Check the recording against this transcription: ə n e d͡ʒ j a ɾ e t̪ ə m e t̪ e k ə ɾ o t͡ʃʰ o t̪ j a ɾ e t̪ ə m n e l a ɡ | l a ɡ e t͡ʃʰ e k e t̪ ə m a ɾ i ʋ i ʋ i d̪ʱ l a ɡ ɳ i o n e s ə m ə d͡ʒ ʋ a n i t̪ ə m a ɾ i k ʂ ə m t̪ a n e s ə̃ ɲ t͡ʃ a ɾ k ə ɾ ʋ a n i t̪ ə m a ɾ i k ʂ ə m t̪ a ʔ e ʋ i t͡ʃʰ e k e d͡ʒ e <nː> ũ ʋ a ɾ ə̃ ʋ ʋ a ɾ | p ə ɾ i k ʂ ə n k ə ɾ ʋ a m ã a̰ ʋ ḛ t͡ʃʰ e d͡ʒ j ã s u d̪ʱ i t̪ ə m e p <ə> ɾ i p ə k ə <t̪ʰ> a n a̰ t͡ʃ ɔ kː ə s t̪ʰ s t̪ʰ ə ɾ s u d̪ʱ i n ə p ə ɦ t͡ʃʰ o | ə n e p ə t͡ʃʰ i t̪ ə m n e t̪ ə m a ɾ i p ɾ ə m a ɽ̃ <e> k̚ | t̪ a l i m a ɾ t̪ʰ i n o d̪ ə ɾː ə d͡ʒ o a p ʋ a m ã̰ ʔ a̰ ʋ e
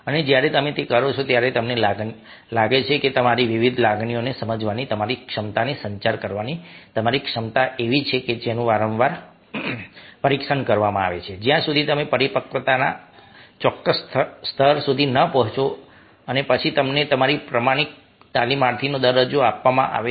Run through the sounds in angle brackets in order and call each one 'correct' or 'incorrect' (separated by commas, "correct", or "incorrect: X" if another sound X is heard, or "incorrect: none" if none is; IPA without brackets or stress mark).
incorrect: n, correct, incorrect: t̪, incorrect: i